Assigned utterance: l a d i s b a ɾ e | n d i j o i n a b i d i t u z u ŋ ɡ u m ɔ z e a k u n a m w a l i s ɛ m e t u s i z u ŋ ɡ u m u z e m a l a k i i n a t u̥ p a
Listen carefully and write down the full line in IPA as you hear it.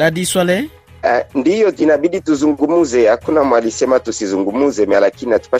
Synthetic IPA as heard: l a d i s w a l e | n d i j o i n a b i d i t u z u ŋ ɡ u m u z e a k u n a m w a l i s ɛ m a t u s i z u ŋ ɡ u m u z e m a l a k i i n a t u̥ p a